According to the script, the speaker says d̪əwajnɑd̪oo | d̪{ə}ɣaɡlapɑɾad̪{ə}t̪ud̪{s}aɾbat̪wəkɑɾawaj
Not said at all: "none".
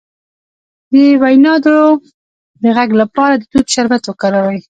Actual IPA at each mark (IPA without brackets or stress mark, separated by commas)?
ə, ə, ʃ